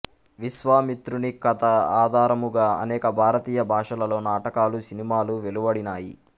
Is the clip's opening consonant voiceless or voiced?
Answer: voiced